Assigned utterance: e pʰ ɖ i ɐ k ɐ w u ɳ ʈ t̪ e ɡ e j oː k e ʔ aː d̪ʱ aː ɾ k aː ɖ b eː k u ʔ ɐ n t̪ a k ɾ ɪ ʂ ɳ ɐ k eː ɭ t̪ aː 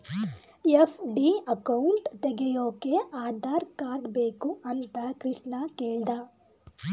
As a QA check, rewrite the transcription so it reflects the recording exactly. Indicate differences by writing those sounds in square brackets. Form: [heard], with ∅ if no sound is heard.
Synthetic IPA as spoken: e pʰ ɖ i ɐ k ɐ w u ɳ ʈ t̪ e ɡ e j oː k e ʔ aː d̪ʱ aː ɾ k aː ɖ b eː k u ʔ ɐ n t̪ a k ɾ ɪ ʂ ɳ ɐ k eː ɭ [d̪] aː